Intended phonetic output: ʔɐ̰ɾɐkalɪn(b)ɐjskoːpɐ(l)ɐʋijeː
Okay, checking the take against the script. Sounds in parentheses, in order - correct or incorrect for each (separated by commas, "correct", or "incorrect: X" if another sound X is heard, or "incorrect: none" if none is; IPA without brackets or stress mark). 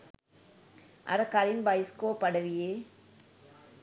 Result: correct, incorrect: ɽ